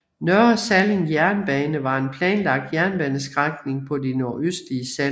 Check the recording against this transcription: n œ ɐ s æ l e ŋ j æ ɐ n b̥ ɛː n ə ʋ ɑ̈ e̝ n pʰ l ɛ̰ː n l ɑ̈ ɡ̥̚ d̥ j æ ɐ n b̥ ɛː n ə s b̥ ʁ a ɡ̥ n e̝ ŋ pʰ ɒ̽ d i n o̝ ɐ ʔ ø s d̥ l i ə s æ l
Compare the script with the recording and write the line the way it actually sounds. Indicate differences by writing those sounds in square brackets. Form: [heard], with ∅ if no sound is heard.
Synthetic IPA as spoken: n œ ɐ s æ l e ŋ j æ ɐ n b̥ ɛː n ə ʋ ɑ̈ e̝ n pʰ l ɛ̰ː n l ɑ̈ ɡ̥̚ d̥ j æ ɐ n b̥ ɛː n ə s [ɡ̥] ʁ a ɡ̥ n e̝ ŋ pʰ ɒ̽ d i n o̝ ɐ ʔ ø s d̥ l i ə s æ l